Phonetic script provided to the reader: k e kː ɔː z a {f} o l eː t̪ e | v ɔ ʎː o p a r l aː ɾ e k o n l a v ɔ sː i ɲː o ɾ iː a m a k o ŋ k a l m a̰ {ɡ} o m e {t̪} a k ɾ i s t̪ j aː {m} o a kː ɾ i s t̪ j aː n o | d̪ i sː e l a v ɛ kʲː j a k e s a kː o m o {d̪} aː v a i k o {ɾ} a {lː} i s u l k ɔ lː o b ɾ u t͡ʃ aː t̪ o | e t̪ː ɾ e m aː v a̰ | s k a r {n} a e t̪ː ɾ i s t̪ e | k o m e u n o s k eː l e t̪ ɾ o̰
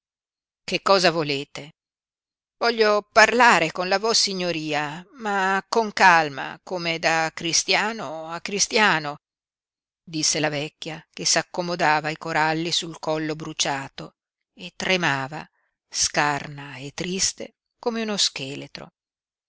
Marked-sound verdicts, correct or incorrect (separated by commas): incorrect, incorrect, incorrect, incorrect, correct, correct, correct, correct